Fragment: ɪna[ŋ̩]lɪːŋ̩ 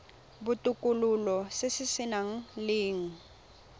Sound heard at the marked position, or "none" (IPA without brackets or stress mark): ŋ̩